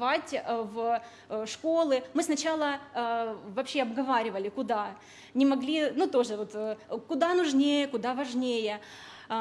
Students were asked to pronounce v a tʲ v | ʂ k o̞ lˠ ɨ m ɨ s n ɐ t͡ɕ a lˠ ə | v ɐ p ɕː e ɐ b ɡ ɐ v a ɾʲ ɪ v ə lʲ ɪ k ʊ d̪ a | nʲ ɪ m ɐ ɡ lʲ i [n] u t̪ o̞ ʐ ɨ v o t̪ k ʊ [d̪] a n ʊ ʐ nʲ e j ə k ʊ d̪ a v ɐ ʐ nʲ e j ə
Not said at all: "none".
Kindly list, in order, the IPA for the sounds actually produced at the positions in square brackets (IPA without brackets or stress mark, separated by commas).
n, d̪